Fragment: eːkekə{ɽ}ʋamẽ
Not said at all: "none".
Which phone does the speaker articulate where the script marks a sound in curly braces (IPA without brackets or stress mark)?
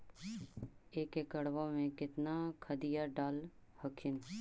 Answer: ɽ